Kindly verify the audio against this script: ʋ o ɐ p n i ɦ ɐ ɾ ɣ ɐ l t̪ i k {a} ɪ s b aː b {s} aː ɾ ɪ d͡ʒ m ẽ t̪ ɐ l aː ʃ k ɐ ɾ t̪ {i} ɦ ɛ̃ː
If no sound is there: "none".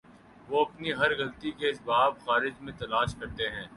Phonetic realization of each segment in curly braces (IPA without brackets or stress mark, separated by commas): e, x, e